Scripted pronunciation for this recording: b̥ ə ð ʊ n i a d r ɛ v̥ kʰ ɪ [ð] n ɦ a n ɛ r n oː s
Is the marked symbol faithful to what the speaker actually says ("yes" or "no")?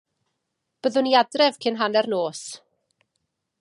no